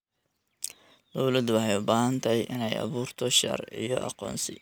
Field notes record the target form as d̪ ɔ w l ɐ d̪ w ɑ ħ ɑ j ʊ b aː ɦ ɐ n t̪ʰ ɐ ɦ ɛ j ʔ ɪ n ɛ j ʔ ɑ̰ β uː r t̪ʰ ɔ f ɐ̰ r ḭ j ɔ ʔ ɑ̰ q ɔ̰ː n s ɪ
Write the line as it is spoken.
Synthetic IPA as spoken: d̪ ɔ w l ɐ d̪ w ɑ ħ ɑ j ʊ b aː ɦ ɐ n t̪ʰ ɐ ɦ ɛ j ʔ ɪ n ɛ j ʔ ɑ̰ β uː r t̪ʰ ɔ ʃ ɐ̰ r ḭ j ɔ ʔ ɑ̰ q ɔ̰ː n s ɪ